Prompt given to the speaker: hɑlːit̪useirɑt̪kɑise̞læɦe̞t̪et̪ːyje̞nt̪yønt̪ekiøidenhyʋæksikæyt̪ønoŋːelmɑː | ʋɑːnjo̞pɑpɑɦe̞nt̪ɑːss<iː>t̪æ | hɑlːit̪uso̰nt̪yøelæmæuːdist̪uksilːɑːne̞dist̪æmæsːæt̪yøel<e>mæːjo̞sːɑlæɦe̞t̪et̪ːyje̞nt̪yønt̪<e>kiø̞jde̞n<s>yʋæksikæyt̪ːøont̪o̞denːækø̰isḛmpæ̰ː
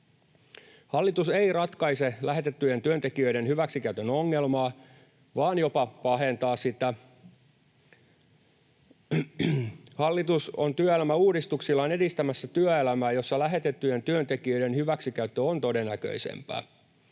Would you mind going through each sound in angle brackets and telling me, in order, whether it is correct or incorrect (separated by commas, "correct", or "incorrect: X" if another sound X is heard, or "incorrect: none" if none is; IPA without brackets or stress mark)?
incorrect: i, incorrect: æ, correct, incorrect: h